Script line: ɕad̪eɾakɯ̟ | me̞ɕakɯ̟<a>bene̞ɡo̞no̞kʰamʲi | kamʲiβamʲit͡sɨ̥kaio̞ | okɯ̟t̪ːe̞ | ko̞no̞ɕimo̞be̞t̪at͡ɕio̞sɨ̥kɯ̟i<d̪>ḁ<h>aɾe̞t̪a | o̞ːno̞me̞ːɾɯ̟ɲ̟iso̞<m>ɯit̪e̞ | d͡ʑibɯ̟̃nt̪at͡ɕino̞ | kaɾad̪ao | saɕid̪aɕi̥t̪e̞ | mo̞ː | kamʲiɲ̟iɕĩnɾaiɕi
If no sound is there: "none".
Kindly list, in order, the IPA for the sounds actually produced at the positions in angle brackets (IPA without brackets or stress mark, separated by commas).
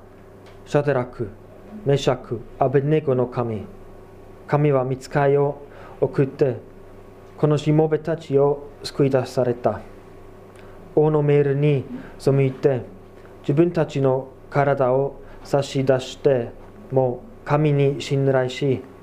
a, d̪, s, m